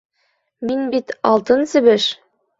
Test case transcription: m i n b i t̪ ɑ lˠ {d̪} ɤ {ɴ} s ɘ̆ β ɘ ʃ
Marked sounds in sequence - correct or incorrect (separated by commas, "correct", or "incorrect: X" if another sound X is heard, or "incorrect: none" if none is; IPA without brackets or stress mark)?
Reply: incorrect: t̪, incorrect: n